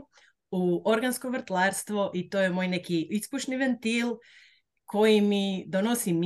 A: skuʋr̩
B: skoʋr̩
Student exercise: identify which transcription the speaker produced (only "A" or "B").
B